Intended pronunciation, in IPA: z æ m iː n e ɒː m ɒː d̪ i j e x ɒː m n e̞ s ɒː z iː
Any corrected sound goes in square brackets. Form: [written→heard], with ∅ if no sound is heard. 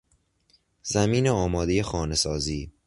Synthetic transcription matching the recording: z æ m iː n e ɒː m ɒː d̪ [i→e] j e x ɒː [m→∅] n e̞ s ɒː z iː